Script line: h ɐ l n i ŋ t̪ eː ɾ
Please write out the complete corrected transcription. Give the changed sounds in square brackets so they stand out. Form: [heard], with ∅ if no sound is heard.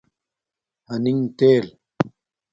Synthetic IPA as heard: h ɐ [∅] n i ŋ t̪ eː [l]